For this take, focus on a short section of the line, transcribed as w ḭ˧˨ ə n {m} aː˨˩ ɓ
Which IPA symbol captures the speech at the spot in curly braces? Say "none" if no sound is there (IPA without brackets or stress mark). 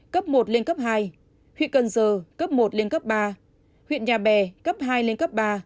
ɲ